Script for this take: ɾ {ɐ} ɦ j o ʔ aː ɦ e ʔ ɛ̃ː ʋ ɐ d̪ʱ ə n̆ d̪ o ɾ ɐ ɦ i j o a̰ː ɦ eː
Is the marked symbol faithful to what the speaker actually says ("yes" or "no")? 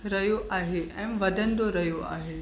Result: yes